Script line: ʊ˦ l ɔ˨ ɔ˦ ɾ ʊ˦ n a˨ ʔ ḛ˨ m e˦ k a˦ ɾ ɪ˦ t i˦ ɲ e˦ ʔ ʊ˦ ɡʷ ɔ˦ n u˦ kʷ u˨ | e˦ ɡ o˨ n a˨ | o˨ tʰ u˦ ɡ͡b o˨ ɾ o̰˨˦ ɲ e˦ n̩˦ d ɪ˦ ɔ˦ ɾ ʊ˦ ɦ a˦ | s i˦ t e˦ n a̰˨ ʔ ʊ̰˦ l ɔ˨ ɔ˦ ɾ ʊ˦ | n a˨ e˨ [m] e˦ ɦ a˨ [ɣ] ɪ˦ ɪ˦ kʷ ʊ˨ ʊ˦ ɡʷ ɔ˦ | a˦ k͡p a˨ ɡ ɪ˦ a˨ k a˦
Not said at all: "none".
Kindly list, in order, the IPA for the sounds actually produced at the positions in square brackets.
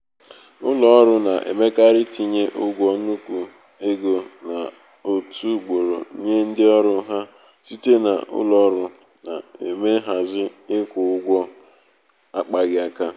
m, z

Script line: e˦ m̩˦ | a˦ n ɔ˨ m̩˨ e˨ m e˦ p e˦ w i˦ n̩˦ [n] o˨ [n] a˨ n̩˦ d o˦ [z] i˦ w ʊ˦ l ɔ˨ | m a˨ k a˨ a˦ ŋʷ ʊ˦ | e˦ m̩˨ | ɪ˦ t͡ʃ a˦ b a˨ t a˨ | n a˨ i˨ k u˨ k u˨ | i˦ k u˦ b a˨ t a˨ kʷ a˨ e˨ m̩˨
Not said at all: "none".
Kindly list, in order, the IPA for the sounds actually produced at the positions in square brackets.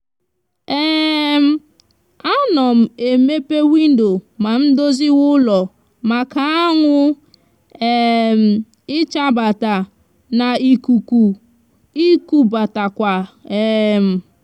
d, m, z

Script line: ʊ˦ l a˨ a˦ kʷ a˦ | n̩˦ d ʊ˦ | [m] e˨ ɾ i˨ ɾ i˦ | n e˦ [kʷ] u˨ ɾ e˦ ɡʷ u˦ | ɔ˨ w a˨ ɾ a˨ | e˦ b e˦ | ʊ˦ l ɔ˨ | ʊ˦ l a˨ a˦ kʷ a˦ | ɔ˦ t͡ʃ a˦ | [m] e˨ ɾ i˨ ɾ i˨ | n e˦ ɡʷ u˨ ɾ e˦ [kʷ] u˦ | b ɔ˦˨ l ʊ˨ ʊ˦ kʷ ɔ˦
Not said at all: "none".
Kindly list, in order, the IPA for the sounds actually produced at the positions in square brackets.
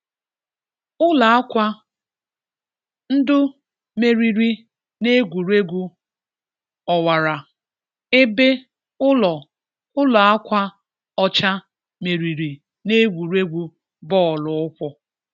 m, ɡʷ, m, ɡʷ

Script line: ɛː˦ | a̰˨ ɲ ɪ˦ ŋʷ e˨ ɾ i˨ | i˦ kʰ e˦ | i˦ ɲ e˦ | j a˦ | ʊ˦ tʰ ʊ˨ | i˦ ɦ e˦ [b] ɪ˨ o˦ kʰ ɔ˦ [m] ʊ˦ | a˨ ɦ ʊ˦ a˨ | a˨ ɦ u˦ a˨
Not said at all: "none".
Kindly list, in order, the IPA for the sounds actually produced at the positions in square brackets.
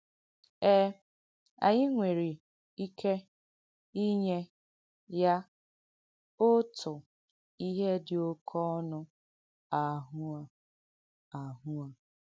d, n

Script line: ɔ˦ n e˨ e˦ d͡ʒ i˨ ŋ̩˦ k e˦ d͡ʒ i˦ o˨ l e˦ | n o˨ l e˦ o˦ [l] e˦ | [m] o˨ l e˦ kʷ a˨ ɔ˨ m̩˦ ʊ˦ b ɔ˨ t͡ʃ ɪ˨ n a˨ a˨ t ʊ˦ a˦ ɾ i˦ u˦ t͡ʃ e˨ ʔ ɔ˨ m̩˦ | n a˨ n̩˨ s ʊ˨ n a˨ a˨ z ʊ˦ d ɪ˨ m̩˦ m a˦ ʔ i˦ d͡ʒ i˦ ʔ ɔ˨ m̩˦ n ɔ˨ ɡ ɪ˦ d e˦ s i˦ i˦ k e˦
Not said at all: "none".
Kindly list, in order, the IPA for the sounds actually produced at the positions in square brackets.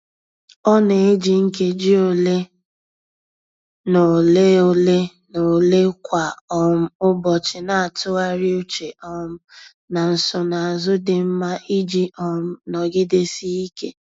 l, n

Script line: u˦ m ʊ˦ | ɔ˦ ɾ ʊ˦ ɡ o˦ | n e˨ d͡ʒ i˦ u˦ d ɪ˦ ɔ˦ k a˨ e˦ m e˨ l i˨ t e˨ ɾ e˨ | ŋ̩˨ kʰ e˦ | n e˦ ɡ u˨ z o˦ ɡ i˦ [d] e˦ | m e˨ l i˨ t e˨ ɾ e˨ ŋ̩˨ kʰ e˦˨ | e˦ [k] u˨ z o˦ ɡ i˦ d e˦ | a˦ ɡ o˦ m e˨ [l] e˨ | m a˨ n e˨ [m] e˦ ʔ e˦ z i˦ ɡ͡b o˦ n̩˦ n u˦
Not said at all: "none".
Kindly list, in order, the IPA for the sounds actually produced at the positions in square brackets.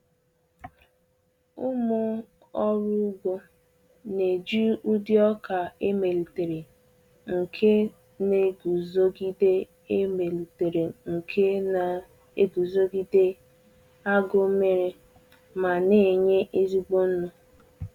d, ɡ, ɾ, ɲ

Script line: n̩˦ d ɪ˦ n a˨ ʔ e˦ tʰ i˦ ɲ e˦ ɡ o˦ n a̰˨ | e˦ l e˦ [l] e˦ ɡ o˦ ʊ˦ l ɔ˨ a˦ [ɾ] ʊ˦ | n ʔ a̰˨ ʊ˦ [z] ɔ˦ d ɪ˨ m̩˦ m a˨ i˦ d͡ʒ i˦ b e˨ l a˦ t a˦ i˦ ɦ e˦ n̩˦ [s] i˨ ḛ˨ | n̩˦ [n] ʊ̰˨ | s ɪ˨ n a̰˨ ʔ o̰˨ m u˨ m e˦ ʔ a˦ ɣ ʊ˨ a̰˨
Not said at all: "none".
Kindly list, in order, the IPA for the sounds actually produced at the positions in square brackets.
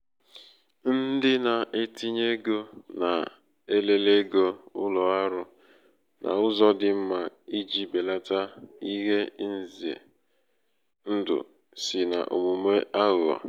l, ɾ, z, z, d

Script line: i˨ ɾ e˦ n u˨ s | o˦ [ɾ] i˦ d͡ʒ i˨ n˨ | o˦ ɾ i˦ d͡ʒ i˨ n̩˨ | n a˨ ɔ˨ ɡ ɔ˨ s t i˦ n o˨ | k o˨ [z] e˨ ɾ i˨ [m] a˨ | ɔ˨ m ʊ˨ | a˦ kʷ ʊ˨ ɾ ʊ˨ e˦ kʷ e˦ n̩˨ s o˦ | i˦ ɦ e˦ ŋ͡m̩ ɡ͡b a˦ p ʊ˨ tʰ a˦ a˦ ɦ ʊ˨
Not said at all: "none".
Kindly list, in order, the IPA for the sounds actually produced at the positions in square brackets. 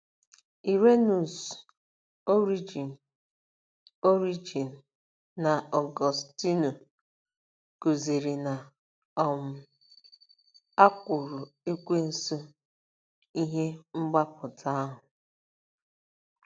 ɾ, z, n

